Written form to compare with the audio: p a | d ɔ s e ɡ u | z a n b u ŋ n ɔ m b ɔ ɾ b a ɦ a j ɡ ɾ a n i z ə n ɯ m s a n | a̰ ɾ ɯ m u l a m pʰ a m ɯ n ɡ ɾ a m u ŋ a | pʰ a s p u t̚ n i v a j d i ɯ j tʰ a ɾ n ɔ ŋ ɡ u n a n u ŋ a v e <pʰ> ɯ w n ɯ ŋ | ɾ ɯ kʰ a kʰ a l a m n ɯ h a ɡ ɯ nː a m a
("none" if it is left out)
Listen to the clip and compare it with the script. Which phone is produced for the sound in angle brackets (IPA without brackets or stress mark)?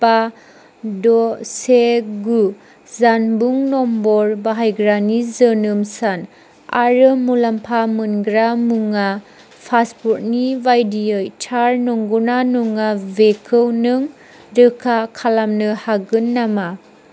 kʰ